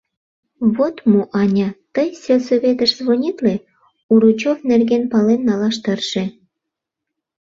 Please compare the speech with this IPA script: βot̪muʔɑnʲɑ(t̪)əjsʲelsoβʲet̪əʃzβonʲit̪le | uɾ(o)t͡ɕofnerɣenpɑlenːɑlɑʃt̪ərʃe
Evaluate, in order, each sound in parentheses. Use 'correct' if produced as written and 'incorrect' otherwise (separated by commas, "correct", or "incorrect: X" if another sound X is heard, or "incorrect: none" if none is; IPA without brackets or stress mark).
correct, incorrect: u